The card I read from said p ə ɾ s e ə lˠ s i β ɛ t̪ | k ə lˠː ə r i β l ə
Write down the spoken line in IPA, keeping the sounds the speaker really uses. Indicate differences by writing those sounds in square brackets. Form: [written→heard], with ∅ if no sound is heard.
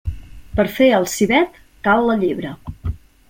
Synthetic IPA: p ə ɾ [s→f] e ə lˠ s i β ɛ t̪ | k [ə→a] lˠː ə [r→ʎ] i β [l→ɾ] ə